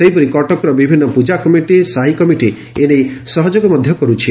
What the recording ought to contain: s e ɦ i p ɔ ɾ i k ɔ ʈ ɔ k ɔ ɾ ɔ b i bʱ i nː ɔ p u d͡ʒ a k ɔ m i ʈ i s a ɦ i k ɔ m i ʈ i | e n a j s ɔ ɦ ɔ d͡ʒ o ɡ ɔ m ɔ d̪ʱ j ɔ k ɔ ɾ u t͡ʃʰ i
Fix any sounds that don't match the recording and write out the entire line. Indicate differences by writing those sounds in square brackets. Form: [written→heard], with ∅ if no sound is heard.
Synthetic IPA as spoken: s e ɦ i p ɔ ɾ i k ɔ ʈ ɔ k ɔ ɾ ɔ b i bʱ i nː ɔ p u d͡ʒ a k ɔ m i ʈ i s a ɦ i k ɔ m i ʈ i | e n [a→e] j s ɔ ɦ ɔ d͡ʒ o ɡ ɔ m ɔ d̪ʱ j ɔ k ɔ ɾ u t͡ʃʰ i